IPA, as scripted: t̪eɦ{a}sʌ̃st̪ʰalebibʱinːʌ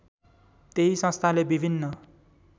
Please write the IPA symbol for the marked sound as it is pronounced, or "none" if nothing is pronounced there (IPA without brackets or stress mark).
i